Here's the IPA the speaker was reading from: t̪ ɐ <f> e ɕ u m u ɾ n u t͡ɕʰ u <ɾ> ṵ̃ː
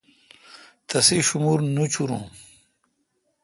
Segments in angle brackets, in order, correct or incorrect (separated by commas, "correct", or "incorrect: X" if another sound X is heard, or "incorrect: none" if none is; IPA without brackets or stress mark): incorrect: s, correct